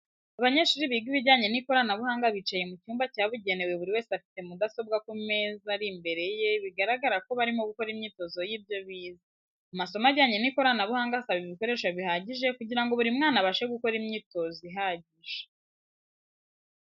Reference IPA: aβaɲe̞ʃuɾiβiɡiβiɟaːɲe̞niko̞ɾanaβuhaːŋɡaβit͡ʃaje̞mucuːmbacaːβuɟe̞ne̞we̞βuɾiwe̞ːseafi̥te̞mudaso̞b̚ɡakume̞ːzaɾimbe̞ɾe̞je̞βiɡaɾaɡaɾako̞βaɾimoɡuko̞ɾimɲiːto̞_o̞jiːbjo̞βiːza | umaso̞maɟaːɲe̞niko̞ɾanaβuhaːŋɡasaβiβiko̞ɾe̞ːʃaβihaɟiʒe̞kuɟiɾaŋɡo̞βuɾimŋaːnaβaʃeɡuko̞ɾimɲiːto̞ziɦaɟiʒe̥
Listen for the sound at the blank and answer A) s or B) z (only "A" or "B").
B